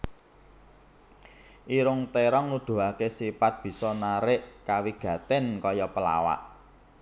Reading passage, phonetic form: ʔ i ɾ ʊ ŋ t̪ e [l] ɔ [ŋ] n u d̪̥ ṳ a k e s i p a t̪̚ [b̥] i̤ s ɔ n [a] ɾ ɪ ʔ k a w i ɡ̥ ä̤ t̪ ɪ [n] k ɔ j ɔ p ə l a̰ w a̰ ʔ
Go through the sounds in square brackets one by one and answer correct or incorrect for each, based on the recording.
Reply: incorrect: ɾ, correct, correct, correct, correct

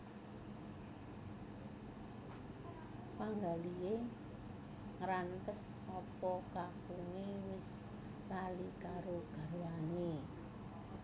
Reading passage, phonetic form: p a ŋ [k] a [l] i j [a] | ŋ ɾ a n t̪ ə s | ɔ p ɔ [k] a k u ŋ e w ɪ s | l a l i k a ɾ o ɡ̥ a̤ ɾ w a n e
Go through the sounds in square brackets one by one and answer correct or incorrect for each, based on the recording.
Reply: incorrect: ɡ, correct, incorrect: e, correct

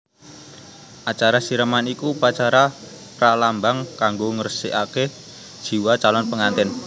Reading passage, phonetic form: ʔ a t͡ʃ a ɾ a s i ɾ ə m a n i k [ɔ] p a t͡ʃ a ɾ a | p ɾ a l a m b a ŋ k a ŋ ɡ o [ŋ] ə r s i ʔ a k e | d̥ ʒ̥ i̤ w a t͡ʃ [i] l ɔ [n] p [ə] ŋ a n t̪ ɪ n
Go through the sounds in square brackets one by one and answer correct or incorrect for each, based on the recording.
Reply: incorrect: u, correct, incorrect: a, correct, correct

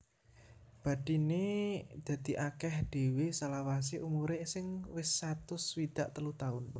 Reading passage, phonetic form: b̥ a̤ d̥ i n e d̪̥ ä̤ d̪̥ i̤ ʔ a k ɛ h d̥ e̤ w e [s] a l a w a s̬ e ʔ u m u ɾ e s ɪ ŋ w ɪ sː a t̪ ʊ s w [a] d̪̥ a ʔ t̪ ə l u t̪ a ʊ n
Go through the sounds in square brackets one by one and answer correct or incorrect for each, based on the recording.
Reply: correct, incorrect: i

